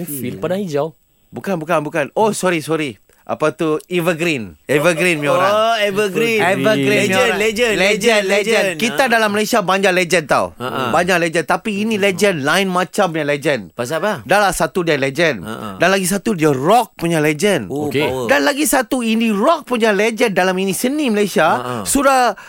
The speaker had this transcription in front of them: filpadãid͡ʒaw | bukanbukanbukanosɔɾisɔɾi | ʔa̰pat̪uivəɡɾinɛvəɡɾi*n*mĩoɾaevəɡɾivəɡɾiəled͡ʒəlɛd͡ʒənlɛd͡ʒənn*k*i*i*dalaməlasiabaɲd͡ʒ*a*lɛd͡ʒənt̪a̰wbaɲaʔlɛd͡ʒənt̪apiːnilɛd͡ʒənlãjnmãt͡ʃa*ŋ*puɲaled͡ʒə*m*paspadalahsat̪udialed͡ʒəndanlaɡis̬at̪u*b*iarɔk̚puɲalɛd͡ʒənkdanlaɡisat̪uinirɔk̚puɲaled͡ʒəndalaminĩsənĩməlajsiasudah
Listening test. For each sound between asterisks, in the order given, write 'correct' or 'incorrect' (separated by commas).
correct, correct, incorrect, correct, incorrect, incorrect, incorrect